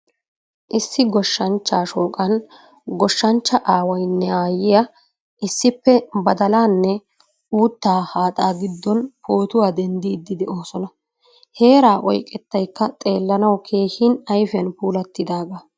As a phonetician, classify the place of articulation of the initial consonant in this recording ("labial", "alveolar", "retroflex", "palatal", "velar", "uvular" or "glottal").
glottal